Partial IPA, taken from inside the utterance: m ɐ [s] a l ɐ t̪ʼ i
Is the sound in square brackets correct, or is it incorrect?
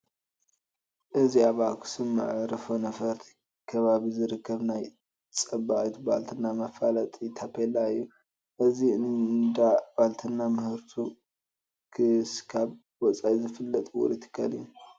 incorrect